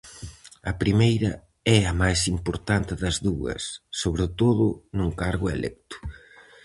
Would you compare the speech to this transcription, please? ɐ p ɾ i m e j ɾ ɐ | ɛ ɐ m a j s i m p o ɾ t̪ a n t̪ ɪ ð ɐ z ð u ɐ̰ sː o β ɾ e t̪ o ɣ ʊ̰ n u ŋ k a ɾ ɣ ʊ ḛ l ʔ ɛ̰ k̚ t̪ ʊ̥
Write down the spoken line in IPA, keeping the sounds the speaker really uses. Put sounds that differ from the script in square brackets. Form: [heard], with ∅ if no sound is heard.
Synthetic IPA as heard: ɐ p ɾ i m e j ɾ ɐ | ɛ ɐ m a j s i m p o ɾ t̪ a n t̪ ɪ ð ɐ z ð u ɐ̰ sː o β ɾ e t̪ o [ð] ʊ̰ n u ŋ k a ɾ ɣ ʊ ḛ l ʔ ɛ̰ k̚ t̪ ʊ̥